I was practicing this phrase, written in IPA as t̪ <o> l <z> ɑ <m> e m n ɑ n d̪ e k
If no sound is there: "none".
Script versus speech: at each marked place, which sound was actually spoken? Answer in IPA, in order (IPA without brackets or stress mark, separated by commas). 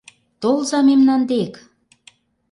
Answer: o, z, m